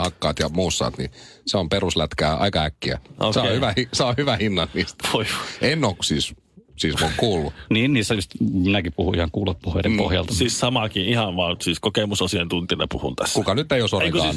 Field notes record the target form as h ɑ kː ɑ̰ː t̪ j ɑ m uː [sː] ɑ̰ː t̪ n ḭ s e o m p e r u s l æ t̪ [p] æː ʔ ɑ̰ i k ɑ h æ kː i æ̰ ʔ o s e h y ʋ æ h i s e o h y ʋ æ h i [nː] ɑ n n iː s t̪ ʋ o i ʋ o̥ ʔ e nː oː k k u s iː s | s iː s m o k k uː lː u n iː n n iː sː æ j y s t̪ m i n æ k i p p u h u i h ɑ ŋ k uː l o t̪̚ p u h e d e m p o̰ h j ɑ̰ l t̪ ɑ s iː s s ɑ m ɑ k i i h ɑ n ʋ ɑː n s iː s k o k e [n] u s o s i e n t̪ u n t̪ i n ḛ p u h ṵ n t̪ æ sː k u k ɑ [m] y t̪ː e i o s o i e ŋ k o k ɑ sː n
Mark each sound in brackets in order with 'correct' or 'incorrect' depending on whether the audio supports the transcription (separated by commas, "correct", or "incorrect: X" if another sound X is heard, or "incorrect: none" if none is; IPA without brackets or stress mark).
correct, incorrect: k, correct, incorrect: m, incorrect: n